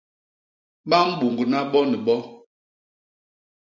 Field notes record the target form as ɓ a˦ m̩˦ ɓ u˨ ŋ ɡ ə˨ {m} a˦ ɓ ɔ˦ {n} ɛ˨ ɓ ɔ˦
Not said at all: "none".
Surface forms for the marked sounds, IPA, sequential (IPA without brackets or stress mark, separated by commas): n, n